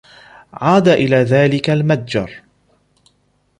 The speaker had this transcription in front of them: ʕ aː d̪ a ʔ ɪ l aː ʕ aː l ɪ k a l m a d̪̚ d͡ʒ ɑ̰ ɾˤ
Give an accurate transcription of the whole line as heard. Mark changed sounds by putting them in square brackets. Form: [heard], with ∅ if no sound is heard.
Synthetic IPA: ʕ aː d̪ a ʔ ɪ l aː [ð] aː l ɪ k a l m a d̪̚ d͡ʒ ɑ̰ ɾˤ